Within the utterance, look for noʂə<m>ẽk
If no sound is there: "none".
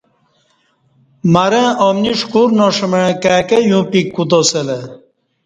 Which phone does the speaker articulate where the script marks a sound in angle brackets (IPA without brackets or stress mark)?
m